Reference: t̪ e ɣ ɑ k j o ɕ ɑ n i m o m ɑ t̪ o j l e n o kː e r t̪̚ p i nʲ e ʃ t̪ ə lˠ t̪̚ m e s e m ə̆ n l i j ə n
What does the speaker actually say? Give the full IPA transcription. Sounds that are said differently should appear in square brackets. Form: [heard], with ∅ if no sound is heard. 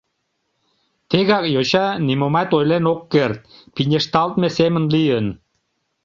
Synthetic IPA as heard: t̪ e ɣ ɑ k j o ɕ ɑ n i m o m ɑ t̪ o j l e n o kː e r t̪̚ p i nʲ e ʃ t̪ [ɑ] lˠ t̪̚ m e s e m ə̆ n l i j ə n